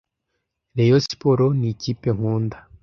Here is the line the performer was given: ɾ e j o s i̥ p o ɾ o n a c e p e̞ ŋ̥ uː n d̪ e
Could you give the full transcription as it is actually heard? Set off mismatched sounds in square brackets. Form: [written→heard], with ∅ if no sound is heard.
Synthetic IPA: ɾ e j o s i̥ p o ɾ o n [a→i] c [e→i] p e̞ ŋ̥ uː n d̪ [e→a]